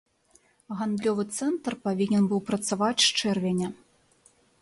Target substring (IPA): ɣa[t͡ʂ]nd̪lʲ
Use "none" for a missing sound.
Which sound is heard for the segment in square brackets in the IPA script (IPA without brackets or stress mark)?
none